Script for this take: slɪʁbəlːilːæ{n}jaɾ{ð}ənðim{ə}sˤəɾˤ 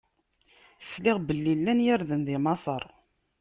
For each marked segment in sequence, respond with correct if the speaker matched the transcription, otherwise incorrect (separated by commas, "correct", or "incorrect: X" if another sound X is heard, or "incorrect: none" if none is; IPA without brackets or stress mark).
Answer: correct, correct, incorrect: ɑ